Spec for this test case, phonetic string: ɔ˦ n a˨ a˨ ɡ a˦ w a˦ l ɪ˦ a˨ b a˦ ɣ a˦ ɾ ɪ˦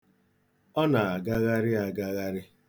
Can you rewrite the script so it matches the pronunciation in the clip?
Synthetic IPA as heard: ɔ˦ n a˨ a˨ ɡ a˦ ɣ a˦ ɾ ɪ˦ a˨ ɡ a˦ ɣ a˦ ɾ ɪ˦